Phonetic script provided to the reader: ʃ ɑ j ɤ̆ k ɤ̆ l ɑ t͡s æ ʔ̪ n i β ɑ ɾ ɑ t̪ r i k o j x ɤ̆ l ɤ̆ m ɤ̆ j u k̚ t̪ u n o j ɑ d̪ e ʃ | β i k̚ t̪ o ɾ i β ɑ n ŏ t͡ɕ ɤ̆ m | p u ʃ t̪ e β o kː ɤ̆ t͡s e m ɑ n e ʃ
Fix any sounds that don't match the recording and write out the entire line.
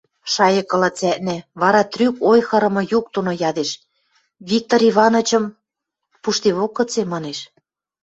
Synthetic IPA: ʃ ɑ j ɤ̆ k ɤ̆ l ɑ t͡s æ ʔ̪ n æ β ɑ ɾ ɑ t̪ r y k o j x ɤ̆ ɾ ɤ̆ m ɤ̆ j u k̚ t̪ u n o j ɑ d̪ e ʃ | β i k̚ t̪ o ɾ i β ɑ n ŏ t͡ɕ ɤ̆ m | p u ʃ t̪ e β o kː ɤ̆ t͡s e m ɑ n e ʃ